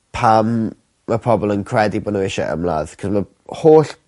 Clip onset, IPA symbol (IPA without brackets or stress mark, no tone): pʰ